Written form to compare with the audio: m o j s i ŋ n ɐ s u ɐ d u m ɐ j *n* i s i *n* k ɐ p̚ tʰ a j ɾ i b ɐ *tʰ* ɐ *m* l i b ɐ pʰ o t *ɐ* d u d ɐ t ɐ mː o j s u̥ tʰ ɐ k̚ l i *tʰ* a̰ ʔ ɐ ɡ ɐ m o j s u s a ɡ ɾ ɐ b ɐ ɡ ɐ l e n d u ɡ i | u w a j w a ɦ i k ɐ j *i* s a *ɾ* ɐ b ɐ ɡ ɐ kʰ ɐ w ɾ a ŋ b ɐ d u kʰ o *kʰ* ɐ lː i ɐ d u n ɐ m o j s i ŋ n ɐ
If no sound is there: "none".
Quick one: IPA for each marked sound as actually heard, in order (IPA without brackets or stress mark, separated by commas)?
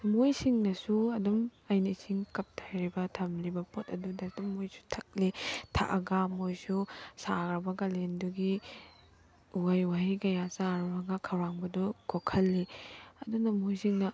n, ŋ, tʰ, m, ɐ, tʰ, a, ɾ, kʰ